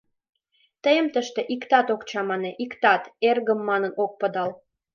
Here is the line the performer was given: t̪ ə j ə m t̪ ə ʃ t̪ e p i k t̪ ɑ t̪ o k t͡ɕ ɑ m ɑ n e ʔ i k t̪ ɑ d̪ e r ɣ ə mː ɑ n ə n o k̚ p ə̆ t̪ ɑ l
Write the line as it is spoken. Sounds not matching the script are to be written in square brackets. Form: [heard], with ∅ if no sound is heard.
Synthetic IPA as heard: t̪ ə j ə m t̪ ə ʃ t̪ e [ʔ] i k t̪ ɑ t̪ o k t͡ɕ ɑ m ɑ n e ʔ i k t̪ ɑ [t̪] e r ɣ ə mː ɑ n ə n o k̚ p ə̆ [d̪] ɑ l